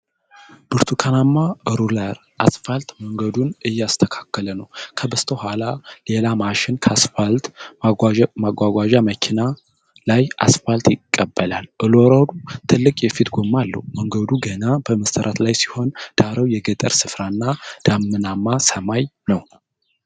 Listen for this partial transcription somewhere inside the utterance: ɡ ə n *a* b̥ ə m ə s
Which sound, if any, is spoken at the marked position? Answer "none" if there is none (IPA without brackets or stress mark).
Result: a